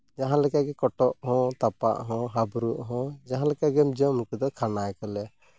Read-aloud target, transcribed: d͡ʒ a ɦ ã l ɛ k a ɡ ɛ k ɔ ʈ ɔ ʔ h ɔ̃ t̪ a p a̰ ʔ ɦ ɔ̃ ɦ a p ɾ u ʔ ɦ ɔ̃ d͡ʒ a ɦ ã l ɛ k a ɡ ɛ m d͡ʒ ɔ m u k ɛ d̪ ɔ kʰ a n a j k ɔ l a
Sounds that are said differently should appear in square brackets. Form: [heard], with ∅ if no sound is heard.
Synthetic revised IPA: d͡ʒ a ɦ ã l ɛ k a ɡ ɛ k ɔ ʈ ɔ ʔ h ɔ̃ t̪ a p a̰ ʔ ɦ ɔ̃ ɦ a [b] ɾ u ʔ ɦ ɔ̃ d͡ʒ a ɦ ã l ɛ k a ɡ ɛ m d͡ʒ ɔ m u k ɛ d̪ ɔ kʰ a n a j k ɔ l [ɛ]